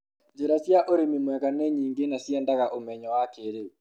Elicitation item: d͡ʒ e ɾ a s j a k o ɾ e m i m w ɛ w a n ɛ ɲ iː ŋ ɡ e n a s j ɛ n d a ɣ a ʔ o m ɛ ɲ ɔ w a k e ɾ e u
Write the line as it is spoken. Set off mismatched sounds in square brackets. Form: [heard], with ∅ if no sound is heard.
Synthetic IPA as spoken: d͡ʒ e ɾ a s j a [ʔ] o ɾ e m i m w ɛ [ɣ] a n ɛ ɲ iː ŋ ɡ e n a s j ɛ n d a ɣ a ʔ o m ɛ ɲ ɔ w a k e ɾ e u

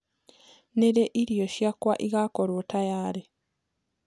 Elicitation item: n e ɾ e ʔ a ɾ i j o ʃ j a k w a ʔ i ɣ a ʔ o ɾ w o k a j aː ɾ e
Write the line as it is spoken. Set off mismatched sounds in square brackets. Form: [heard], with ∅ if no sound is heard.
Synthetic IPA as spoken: n e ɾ e ʔ [i] ɾ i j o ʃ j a k w a ʔ i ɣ a [k] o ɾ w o [t] a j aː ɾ e

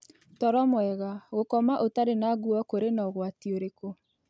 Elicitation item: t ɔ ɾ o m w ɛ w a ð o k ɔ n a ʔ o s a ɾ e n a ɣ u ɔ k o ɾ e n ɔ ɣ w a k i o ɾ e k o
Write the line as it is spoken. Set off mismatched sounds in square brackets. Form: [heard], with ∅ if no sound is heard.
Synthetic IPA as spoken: t ɔ ɾ [ɔ] m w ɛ [ɣ] a [ɣ] o k ɔ [m] a ʔ o [t] a ɾ e n a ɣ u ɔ k o ɾ e n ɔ ɣ w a [t] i o ɾ e k o

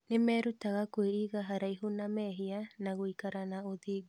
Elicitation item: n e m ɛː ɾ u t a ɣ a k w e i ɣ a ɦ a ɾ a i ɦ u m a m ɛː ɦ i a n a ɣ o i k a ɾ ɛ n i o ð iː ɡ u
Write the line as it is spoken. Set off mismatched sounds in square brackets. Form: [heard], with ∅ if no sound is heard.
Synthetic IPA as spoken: n e m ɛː ɾ u t a ɣ a k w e i ɣ a ɦ a ɾ a i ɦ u [n] a m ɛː ɦ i a n a ɣ o i k a ɾ [a] n [a] o ð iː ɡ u

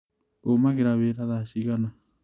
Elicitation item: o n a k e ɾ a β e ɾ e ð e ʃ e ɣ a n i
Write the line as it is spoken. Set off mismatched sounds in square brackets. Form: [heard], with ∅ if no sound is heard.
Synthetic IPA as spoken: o [m] a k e ɾ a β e ɾ [a] ð [a] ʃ [i] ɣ a n [a]

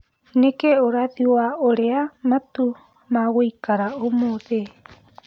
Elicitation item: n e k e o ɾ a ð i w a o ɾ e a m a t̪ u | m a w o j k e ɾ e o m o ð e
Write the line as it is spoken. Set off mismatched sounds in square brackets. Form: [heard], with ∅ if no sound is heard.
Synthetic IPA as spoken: n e k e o ɾ a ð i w a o ɾ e a m a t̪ u | m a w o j k [a] ɾ [a] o m o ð e

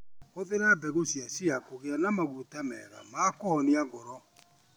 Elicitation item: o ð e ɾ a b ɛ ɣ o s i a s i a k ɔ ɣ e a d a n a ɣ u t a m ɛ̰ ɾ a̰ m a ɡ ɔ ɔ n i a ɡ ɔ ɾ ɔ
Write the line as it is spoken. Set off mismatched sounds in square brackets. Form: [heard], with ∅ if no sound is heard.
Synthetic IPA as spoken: o ð e ɾ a b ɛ ɣ o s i a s i a k [o] ɣ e a [n] a [m] a ɣ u t a m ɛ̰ ɾ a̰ m a [k] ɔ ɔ n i a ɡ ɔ ɾ ɔ

